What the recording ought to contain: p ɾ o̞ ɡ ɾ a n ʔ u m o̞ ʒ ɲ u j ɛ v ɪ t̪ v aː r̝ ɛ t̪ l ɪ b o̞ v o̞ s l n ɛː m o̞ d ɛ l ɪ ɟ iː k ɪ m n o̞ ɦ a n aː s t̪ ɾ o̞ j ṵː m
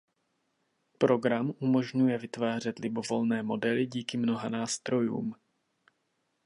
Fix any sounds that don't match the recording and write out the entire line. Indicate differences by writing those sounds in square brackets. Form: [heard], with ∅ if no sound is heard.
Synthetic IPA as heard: p ɾ o̞ ɡ ɾ a [m] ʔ u m o̞ ʒ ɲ u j ɛ v ɪ t̪ v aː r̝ ɛ t̪ l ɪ b o̞ v o̞ [∅] l n ɛː m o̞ d ɛ l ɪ ɟ iː k ɪ m n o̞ ɦ a n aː s t̪ ɾ o̞ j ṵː m

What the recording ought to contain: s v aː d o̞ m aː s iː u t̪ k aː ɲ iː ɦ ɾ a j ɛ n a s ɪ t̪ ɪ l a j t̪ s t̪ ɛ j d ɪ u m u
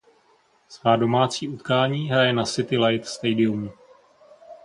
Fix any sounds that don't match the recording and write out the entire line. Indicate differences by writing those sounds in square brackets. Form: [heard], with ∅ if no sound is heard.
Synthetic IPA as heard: s v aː d o̞ m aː [t͡s] iː u t̪ k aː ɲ iː ɦ ɾ a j ɛ n a s ɪ t̪ ɪ l a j t̪ s t̪ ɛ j d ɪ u m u

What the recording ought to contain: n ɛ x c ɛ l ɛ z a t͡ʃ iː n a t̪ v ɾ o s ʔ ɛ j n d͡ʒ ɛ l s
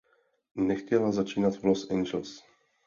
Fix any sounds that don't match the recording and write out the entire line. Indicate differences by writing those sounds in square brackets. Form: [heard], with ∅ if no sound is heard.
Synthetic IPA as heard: n ɛ x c ɛ l [a] z a t͡ʃ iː n a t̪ v [l] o s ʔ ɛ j n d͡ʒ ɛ l s

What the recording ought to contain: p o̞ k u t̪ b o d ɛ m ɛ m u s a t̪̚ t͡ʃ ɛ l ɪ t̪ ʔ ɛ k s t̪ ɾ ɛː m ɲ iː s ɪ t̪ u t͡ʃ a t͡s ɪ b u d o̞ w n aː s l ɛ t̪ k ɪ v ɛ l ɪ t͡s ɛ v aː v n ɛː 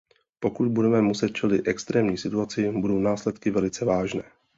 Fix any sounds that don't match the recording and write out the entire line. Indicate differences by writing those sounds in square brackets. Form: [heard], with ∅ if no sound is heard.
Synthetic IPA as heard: p o̞ k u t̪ b [u] d ɛ m ɛ m u s [ɛ] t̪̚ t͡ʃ ɛ l ɪ t̪ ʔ ɛ k s t̪ ɾ ɛː m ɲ iː s ɪ t̪ u [∅] a t͡s ɪ b u d o̞ w n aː s l ɛ t̪ k ɪ v ɛ l ɪ t͡s ɛ v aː [ʒ] n ɛː

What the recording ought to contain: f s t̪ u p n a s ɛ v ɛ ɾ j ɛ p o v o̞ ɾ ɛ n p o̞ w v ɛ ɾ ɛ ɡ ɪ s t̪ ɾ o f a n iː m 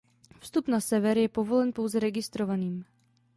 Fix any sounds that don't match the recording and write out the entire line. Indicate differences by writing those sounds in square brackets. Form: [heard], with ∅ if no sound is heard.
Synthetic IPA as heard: f s t̪ u p n a s ɛ v ɛ ɾ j ɛ p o v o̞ [l] ɛ n p o̞ w [z] ɛ ɾ ɛ ɡ ɪ s t̪ ɾ o [v] a n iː m

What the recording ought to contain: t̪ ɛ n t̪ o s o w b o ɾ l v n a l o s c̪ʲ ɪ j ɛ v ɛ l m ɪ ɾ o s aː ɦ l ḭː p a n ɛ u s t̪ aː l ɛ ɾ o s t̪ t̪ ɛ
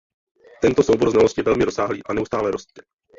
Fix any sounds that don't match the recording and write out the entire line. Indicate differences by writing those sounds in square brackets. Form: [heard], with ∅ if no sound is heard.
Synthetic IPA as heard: t̪ ɛ n t̪ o s o w b o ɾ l [z] n a l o s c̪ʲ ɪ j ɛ v ɛ l m ɪ ɾ o s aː ɦ l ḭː [ʔ] a n ɛ u s t̪ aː l ɛ ɾ o s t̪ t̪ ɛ

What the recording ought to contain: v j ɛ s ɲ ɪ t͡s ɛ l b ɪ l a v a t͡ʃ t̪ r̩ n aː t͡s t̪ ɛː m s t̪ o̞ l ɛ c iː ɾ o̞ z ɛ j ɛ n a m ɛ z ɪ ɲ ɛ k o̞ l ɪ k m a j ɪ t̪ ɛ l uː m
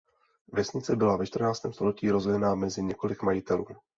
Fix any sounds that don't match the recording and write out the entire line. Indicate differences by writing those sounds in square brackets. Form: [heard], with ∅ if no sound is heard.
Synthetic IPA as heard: v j ɛ s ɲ ɪ t͡s ɛ [∅] b ɪ l a v [ɛ] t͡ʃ t̪ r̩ n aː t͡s t̪ ɛː m s t̪ o̞ l ɛ c iː ɾ o̞ z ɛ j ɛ n a m ɛ z ɪ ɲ ɛ k o̞ l ɪ k m a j ɪ t̪ ɛ l uː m

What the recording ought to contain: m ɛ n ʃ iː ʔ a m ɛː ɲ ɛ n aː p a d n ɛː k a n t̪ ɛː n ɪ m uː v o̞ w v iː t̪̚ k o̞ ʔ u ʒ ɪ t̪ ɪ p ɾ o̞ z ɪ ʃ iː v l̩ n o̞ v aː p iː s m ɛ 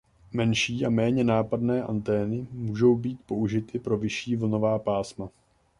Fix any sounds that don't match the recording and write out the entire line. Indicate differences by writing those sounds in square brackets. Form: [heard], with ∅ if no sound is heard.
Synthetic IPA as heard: m ɛ n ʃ iː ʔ a m ɛː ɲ ɛ n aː p a d n ɛː [ʔ] a n t̪ ɛː n ɪ m uː [ʒ] o̞ w [b] iː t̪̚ [p] o̞ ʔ u ʒ ɪ t̪ ɪ p ɾ o̞ [v] ɪ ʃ iː v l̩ n o̞ v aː p [aː] s m [a]

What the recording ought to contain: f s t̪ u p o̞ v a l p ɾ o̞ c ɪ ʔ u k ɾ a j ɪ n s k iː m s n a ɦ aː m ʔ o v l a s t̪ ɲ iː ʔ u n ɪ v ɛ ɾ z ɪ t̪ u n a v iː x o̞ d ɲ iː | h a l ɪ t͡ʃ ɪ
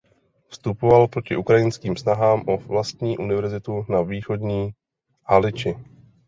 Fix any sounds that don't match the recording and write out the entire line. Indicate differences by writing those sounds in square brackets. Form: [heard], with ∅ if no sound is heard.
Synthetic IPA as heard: f s t̪ u p o̞ v a l p ɾ o̞ c ɪ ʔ u k ɾ a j ɪ n s k iː m s n a ɦ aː m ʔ o v l a s t̪ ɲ iː ʔ u n ɪ v ɛ ɾ z ɪ t̪ u n a v iː x o̞ d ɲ iː | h a l ɪ t͡ʃ ɪ

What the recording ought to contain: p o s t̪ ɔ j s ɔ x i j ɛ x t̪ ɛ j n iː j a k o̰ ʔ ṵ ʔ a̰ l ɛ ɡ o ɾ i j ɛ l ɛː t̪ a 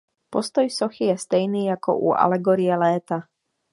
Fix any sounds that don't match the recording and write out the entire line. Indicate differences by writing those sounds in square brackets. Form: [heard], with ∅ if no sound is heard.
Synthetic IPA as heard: p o s t̪ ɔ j s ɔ x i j ɛ [s] t̪ ɛ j n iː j a k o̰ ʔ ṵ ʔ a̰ l ɛ ɡ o ɾ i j ɛ l ɛː t̪ a

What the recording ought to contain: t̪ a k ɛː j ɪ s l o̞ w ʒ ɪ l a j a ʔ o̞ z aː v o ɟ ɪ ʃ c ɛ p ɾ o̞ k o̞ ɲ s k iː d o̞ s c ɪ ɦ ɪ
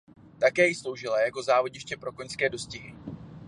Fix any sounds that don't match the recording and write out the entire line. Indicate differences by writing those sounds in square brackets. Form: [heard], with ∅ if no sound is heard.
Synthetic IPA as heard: t̪ a k ɛː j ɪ s l o̞ w ʒ ɪ l a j a [k] o̞ z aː v o ɟ ɪ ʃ c ɛ p ɾ o̞ k o̞ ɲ s k [ɛː] d o̞ s c ɪ ɦ ɪ

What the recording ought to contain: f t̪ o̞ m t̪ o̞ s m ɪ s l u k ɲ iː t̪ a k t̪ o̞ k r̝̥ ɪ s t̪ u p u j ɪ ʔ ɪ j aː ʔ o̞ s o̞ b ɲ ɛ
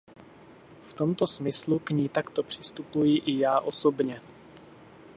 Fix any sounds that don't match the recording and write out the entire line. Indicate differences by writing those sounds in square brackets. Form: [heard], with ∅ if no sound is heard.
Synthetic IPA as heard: f t̪ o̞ m t̪ o̞ s m ɪ s l u k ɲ iː t̪ a k t̪ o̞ [p] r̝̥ ɪ s t̪ u p u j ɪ ʔ ɪ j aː ʔ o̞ s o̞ b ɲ ɛ

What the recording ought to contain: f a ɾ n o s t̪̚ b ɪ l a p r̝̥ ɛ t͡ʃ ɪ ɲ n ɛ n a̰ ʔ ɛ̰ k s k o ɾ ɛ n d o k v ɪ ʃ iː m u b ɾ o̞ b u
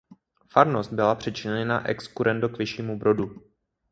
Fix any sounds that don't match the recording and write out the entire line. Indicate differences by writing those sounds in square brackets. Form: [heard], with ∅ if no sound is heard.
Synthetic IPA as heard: f a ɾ n o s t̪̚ b ɪ l a p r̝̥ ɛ t͡ʃ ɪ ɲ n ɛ n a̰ ʔ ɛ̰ k s k [u] ɾ ɛ n d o k v ɪ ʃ iː m u b ɾ o̞ [d] u

